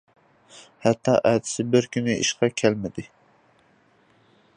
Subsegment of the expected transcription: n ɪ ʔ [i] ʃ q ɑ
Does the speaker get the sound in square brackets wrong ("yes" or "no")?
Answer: no